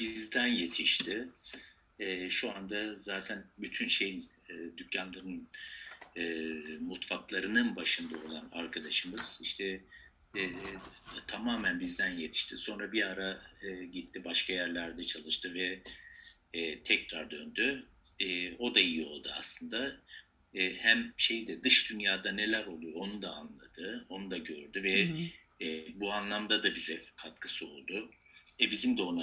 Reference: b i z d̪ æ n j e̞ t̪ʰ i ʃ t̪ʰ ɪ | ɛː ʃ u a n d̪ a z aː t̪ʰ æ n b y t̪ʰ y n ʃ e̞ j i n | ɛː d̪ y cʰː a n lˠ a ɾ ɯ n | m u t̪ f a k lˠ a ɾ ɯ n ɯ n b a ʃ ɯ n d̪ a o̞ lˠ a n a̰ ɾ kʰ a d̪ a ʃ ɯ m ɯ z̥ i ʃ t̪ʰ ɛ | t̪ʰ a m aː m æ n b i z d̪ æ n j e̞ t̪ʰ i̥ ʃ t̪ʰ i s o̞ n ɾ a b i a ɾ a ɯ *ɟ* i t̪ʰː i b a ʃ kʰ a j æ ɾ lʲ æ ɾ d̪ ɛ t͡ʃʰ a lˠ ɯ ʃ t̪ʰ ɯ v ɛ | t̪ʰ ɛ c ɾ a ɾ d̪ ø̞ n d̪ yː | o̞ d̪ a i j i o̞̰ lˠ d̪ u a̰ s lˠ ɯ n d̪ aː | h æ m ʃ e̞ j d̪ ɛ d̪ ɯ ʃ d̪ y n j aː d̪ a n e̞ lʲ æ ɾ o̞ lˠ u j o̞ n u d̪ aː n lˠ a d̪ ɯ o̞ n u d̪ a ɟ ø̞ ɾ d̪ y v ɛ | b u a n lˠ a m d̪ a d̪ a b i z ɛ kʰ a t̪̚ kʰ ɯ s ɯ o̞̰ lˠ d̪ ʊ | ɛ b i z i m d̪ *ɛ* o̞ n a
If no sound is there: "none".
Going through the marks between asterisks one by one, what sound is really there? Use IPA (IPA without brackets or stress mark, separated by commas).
ɟ, ɛ